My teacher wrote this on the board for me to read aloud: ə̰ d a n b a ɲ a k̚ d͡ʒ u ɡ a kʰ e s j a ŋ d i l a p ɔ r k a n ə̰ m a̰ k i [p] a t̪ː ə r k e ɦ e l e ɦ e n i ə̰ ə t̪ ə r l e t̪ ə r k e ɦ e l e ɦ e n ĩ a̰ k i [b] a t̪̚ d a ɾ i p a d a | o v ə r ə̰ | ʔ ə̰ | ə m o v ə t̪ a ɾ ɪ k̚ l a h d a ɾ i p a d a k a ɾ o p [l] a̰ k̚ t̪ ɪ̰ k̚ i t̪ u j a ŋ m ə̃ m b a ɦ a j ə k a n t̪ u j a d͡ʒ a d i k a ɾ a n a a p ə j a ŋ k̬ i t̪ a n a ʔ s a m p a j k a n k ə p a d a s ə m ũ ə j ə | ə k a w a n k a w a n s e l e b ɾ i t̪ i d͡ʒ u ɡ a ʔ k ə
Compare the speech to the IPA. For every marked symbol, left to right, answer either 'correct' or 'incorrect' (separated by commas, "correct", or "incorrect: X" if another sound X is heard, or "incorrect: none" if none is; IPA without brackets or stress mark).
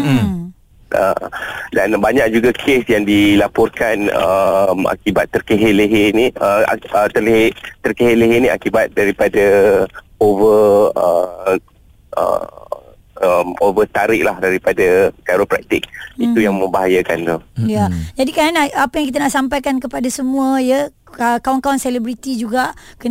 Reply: incorrect: b, correct, incorrect: ɾ